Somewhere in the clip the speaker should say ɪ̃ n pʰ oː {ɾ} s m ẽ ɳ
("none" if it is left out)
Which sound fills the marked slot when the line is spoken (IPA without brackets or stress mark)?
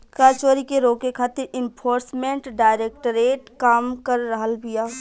ɾ